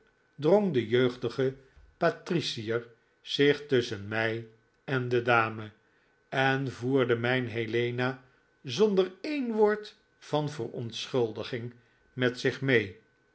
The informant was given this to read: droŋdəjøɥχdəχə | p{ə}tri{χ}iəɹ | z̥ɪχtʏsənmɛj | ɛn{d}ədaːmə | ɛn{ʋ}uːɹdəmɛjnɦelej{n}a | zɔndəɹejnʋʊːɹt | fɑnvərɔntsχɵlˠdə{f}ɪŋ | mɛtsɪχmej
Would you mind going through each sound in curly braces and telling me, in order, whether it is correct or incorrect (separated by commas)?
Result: incorrect, incorrect, correct, incorrect, correct, incorrect